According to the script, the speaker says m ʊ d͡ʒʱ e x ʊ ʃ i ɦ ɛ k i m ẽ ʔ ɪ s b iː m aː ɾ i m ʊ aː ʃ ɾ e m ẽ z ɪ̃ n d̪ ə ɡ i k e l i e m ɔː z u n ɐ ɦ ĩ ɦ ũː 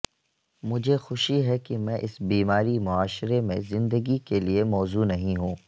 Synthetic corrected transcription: m ʊ d͡ʒʱ e x ʊ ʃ i ɦ ɛ k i m ɛ̃ ʔ ɪ s b iː m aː ɾ i m ʊ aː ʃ ɾ e m ẽ z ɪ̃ n d̪ ə ɡ i k e l i e m ɔː z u n ɐ ɦ ĩ ɦ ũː